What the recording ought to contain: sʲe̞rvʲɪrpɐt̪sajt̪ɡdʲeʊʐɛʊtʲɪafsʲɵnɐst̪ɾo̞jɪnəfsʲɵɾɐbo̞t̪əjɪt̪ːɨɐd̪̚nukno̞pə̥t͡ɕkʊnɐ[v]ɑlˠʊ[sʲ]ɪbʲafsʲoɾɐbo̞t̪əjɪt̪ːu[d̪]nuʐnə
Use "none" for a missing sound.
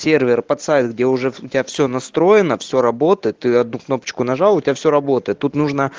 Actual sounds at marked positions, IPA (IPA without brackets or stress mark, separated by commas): ʐ, tʲ, t̪